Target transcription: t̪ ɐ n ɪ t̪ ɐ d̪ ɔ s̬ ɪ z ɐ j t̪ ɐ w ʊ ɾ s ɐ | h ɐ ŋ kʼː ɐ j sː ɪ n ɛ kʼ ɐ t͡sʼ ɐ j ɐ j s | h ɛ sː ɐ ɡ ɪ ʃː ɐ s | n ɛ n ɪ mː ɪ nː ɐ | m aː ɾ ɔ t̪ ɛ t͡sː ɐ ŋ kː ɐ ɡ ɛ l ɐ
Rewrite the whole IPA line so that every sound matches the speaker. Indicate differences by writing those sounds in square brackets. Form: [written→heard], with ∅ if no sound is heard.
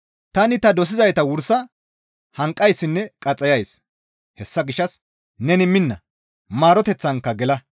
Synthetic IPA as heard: t̪ ɐ n ɪ t̪ ɐ d̪ ɔ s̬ ɪ z ɐ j t̪ ɐ w ʊ ɾ s ɐ | h ɐ ŋ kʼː ɐ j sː ɪ [n→nː] ɛ kʼ ɐ t͡sʼ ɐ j ɐ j s | h ɛ sː ɐ ɡ ɪ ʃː ɐ s | n ɛ n ɪ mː ɪ nː ɐ | m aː ɾ ɔ t̪ ɛ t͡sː ɐ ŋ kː ɐ ɡ ɛ l ɐ